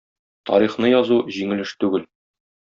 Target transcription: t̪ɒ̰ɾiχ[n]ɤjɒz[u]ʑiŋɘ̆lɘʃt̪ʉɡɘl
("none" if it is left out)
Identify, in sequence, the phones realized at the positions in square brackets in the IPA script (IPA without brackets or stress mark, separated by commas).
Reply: n, u